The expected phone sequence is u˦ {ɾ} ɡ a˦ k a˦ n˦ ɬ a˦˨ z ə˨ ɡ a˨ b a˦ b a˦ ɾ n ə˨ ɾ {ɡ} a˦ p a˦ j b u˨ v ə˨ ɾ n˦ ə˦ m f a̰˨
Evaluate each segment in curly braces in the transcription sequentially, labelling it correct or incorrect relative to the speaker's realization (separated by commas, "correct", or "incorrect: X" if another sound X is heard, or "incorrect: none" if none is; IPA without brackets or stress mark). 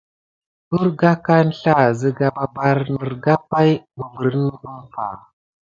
correct, correct